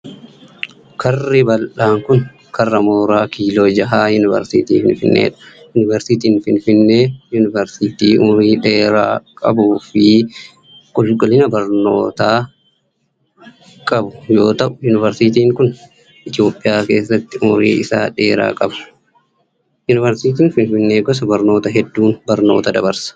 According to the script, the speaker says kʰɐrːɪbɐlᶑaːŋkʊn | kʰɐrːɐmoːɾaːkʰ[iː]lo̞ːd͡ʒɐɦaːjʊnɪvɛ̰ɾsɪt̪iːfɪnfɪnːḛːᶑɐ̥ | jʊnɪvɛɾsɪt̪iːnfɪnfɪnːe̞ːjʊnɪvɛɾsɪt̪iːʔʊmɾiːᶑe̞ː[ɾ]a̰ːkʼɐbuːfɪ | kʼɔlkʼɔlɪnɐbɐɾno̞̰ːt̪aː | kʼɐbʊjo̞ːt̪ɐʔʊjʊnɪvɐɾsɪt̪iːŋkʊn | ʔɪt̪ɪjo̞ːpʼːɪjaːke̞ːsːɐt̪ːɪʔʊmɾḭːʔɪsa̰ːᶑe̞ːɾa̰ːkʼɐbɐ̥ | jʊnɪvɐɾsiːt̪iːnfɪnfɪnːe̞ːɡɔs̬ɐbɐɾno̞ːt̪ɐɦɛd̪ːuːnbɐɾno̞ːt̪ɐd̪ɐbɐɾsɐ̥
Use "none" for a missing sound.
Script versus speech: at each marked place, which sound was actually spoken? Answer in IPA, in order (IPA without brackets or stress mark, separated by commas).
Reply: iː, ɾ